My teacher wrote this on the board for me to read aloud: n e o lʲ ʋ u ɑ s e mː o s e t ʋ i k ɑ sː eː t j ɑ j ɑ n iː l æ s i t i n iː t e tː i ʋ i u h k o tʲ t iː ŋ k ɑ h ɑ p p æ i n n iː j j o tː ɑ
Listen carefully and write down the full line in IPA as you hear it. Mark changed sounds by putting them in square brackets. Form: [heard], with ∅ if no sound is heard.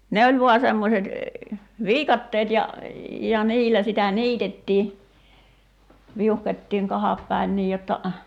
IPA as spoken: n e o lʲ ʋ u ɑ s e mː o s e t ʋ [iː] k ɑ [tː] eː t j ɑ j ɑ n iː l æ s i t [æ] n iː t e tː [iː] ʋ i u h k o tʲ t iː ŋ k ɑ h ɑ p p æ i n n iː j j o tː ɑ